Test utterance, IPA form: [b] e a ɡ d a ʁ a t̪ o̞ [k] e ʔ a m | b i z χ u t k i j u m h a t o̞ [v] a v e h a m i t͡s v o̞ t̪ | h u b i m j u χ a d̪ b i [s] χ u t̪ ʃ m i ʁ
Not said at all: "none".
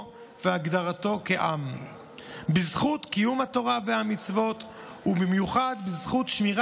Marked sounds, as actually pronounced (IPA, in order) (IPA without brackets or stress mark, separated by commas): v, k, ʁ, z